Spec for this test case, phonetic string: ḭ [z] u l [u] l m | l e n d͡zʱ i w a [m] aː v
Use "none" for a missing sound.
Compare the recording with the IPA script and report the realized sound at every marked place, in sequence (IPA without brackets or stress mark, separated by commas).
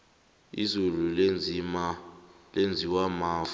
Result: z, u, m